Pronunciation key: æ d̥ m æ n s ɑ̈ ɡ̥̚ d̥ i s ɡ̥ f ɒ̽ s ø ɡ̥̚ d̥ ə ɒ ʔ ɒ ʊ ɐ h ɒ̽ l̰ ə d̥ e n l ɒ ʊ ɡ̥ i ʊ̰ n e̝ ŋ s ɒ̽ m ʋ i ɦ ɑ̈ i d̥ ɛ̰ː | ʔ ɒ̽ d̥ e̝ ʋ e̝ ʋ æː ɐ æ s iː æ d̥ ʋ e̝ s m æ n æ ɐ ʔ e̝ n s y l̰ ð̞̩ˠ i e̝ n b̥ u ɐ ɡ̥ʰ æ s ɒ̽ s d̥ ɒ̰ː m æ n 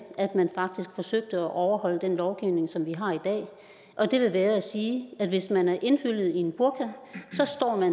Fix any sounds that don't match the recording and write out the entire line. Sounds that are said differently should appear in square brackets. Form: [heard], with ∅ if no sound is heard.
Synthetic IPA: æ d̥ m æ n [f] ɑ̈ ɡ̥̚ d̥ i s ɡ̥ f ɒ̽ s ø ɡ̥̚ d̥ ə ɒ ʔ ɒ ʊ ɐ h ɒ̽ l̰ ə d̥ e n l ɒ ʊ ɡ̥ i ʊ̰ n e̝ ŋ s ɒ̽ m ʋ i ɦ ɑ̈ i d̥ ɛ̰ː | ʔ ɒ̽ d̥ e̝ ʋ e̝ ʋ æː ɐ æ s iː æ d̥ ʋ e̝ s m æ n æ ɐ ʔ e̝ n [f] y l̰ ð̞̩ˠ i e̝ n b̥ u ɐ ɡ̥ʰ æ s ɒ̽ s d̥ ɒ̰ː m æ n